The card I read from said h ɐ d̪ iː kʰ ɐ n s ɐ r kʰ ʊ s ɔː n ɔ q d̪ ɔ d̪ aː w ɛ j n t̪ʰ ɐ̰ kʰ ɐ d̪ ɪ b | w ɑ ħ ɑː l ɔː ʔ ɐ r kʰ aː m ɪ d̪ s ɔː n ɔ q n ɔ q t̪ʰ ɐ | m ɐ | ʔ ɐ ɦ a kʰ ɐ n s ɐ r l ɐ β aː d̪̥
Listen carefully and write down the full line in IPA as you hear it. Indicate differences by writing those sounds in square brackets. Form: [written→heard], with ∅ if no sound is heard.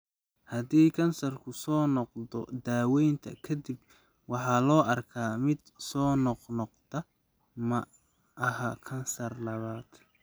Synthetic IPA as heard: h ɐ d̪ iː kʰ ɐ n s ɐ r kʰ ʊ s ɔː n ɔ q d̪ ɔ d̪ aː w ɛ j n t̪ʰ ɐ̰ kʰ ɐ d̪ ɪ b | w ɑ ħ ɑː l ɔː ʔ ɐ r kʰ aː m ɪ d̪ s ɔː n ɔ q n ɔ q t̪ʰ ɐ | m ɐ | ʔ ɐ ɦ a kʰ ɐ n s ɐ r l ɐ β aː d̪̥

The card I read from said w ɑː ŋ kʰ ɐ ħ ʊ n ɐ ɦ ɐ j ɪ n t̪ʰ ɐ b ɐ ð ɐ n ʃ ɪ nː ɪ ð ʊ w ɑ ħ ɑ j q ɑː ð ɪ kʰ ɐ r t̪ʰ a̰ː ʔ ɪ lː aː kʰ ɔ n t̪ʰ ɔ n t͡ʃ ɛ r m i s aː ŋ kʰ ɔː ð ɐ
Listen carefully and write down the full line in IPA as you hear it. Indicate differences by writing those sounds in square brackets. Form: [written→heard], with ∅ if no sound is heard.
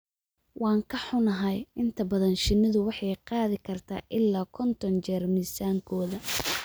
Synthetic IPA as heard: w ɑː ŋ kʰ ɐ ħ ʊ n ɐ ɦ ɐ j ɪ n t̪ʰ ɐ b ɐ ð ɐ n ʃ ɪ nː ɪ ð ʊ w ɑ ħ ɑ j q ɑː ð ɪ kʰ ɐ r t̪ʰ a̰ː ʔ ɪ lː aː kʰ ɔ n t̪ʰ ɔ n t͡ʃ ɛ r m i s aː ŋ kʰ ɔː ð ɐ

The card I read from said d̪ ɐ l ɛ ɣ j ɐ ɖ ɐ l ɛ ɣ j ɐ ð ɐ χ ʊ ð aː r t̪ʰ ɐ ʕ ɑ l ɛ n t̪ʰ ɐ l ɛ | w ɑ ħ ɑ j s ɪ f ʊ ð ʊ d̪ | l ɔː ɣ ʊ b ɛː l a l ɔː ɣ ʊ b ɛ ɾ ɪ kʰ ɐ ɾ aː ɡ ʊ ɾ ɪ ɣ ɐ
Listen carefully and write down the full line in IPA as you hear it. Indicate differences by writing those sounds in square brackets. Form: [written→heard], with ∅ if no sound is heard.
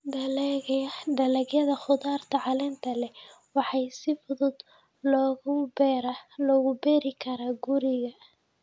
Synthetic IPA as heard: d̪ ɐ l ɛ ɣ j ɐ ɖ ɐ l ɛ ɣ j ɐ ð ɐ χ ʊ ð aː r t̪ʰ ɐ ʕ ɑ l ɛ n t̪ʰ ɐ l ɛ | w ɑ ħ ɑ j s ɪ f ʊ ð ʊ d̪ | l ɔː ɣ ʊ b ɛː [l→ɾ] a l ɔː ɣ ʊ b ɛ ɾ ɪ kʰ ɐ ɾ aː ɡ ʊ ɾ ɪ ɣ ɐ

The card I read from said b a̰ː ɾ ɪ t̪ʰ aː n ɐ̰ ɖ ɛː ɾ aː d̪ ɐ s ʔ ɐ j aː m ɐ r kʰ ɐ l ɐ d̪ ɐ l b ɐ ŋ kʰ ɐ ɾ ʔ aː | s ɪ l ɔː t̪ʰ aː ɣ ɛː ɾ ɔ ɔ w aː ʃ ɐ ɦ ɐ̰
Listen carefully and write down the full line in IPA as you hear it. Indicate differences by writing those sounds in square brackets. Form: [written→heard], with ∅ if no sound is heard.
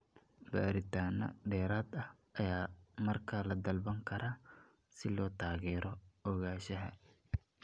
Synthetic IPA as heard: b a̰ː ɾ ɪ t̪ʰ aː n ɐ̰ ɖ ɛː ɾ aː d̪ ɐ [s→h] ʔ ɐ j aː m ɐ r kʰ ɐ l ɐ d̪ ɐ l b ɐ ŋ kʰ ɐ ɾ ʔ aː | s ɪ l ɔː t̪ʰ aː ɣ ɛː ɾ ɔ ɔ [w→ɣ] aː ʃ ɐ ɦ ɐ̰

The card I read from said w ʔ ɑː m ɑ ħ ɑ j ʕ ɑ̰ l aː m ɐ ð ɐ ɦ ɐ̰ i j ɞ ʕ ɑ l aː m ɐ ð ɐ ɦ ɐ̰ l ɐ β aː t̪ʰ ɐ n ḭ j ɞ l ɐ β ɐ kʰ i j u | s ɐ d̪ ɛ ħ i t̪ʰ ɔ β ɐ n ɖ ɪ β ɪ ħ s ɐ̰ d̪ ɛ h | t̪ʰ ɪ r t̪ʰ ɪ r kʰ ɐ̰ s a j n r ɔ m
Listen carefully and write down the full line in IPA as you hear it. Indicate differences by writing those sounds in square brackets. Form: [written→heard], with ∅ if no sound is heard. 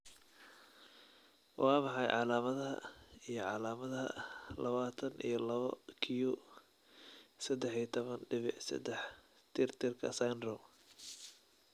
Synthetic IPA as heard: w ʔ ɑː m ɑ ħ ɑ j ʕ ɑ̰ l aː m ɐ ð ɐ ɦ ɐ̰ i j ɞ ʕ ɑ l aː m ɐ ð ɐ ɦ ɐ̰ l ɐ β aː t̪ʰ ɐ n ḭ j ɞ l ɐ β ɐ kʰ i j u | s ɐ d̪ ɛ ħ i t̪ʰ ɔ β ɐ n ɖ ɪ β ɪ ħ s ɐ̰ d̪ ɛ [h→ħ] | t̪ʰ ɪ r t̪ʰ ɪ r kʰ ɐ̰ s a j n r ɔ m

